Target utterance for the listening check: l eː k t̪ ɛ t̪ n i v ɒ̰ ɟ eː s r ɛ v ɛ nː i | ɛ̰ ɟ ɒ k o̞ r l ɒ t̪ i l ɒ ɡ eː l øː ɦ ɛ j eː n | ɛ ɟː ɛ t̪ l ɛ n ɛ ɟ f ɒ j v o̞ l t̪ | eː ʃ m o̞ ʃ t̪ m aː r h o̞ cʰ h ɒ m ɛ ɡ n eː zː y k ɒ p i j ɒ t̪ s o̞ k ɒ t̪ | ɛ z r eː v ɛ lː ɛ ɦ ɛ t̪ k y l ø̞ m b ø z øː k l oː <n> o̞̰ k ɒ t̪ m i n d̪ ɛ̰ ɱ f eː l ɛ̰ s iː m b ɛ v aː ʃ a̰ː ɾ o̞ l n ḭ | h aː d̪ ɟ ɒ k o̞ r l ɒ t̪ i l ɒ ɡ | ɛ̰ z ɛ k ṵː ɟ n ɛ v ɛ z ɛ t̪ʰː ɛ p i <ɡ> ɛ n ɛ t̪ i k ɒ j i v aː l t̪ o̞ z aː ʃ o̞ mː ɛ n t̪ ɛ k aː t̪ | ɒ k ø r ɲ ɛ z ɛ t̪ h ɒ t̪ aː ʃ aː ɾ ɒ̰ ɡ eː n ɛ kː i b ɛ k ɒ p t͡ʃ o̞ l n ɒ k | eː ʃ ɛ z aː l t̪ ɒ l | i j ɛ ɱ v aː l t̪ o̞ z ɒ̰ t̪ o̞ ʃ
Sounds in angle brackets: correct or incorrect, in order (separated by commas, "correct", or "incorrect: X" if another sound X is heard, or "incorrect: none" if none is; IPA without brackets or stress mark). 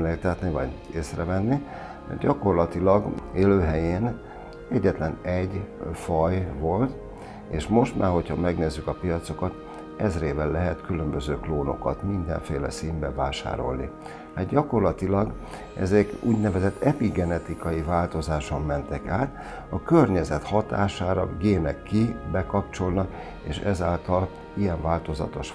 correct, correct